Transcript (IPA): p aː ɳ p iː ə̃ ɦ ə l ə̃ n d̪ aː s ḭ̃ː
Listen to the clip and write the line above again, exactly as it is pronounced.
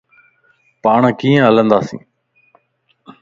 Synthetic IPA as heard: p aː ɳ k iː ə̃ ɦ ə l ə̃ n d̪ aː s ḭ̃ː